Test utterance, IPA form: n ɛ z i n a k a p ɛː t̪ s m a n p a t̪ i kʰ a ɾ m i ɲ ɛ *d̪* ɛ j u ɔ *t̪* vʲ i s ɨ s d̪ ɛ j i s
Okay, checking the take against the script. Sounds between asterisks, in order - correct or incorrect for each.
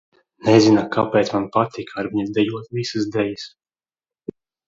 correct, correct

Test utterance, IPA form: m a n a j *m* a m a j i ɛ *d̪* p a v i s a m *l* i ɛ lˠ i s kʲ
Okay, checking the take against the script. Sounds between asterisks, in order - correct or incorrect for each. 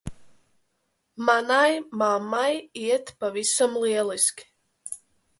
correct, incorrect: t̪, correct

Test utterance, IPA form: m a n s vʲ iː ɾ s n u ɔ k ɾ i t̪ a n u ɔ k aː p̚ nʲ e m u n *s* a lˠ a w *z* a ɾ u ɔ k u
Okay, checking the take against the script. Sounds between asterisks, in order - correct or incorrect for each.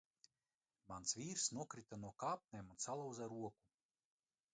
correct, correct

